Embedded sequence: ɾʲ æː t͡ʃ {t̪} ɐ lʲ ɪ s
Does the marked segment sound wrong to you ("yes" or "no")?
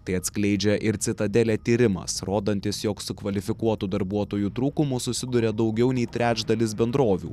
yes